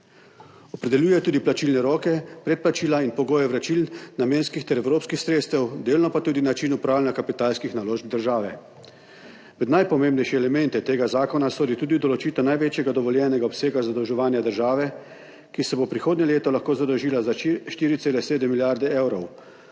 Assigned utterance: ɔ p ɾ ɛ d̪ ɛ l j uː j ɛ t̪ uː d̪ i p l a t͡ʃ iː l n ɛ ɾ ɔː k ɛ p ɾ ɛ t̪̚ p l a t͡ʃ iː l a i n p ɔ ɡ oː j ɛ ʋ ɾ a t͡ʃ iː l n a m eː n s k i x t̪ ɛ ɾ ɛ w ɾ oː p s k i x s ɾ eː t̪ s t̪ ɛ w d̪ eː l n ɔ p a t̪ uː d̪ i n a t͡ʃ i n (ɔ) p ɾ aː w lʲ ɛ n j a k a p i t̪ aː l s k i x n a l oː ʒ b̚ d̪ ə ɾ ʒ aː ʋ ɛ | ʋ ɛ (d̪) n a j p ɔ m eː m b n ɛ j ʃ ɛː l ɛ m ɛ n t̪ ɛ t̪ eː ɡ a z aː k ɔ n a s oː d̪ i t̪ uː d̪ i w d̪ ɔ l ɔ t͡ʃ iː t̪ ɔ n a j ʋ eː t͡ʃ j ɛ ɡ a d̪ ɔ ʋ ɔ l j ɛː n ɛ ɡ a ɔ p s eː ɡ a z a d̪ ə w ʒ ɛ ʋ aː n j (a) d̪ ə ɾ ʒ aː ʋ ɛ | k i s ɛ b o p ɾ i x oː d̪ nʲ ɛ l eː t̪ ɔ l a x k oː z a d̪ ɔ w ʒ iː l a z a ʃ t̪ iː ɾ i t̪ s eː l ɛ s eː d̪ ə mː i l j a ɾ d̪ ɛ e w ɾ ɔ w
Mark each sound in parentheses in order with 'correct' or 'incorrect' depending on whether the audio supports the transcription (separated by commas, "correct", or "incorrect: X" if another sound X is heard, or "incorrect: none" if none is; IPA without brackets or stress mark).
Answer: incorrect: u, correct, correct